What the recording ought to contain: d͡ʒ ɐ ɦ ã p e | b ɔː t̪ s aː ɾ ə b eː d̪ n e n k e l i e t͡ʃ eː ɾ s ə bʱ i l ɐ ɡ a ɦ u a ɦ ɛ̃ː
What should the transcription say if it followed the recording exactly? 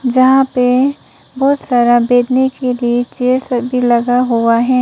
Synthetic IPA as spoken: d͡ʒ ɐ ɦ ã p e | b ɔː t̪ s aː ɾ a b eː d̪ n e k e l i e t͡ʃ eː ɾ s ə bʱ i l ɐ ɡ a ɦ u a ɦ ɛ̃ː